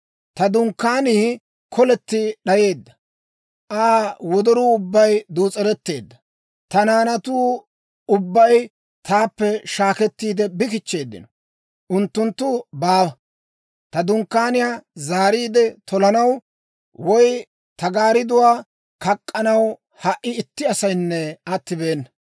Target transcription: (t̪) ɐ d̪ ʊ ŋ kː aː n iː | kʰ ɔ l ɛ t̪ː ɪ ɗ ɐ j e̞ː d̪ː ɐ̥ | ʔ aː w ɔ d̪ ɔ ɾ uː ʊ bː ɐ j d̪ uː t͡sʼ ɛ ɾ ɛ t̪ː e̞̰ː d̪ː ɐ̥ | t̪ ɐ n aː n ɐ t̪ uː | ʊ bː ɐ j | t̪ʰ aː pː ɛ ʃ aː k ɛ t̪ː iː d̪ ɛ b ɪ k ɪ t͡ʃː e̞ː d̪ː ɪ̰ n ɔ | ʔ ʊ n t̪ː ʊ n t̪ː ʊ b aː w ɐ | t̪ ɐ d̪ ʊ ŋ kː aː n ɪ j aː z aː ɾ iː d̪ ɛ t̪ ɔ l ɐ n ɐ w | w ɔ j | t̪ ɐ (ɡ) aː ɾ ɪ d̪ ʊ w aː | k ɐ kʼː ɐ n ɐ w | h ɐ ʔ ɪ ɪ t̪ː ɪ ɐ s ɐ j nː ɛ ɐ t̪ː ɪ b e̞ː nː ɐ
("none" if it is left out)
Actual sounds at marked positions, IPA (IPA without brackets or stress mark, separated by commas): t̪, ɡ